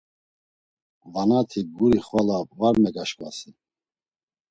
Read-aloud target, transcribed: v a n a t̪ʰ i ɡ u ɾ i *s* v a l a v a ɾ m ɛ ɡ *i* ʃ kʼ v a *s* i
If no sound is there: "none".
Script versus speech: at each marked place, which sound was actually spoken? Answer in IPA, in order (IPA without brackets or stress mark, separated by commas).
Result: χ, a, s